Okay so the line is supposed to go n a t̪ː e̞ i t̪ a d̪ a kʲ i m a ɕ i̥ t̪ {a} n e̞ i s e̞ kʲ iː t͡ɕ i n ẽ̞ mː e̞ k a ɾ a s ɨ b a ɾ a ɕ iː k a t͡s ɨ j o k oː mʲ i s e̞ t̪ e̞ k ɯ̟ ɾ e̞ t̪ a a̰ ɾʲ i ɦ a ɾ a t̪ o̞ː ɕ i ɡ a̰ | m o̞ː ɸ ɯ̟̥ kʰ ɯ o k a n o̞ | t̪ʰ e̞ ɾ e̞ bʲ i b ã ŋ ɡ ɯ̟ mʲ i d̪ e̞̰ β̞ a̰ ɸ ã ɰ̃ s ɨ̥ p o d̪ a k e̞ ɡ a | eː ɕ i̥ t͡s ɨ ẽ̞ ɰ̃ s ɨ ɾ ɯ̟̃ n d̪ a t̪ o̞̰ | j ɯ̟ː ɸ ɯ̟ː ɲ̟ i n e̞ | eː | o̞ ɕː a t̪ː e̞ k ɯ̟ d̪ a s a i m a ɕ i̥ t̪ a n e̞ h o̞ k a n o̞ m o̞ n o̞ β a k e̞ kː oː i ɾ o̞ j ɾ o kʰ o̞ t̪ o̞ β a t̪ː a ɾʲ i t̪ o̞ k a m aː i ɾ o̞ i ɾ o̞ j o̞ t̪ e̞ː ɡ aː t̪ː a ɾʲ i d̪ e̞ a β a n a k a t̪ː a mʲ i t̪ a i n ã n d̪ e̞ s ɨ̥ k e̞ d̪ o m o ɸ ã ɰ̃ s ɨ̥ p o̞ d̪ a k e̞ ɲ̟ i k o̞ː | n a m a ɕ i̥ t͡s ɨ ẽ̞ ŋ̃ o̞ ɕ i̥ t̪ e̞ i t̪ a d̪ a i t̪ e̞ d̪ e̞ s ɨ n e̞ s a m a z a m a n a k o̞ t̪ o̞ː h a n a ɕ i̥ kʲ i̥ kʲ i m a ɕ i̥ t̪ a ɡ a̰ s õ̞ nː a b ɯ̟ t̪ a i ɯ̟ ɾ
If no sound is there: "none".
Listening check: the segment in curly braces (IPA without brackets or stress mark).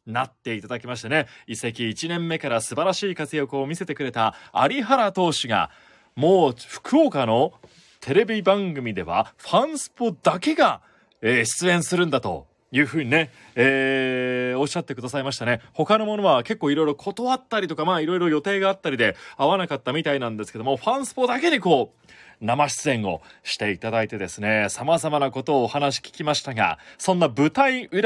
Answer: a